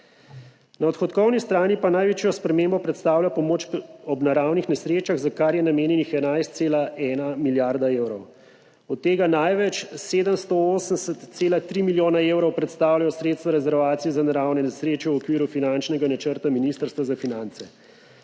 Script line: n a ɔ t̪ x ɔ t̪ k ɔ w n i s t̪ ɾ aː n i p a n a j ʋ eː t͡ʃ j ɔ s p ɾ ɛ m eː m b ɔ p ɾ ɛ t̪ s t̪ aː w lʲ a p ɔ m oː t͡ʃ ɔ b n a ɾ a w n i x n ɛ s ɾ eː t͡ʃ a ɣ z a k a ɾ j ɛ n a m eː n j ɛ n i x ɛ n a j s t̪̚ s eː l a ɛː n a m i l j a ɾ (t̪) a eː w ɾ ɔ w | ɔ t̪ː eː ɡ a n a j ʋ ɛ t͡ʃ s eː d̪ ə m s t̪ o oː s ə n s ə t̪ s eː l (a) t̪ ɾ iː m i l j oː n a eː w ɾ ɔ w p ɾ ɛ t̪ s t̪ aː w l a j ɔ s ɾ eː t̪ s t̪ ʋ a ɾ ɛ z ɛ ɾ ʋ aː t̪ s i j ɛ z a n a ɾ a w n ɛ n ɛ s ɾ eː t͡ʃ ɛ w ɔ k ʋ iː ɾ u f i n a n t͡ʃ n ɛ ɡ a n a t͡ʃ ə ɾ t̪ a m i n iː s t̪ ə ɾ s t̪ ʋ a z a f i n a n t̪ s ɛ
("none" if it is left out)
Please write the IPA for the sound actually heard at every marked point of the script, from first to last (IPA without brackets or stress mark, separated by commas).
d̪, a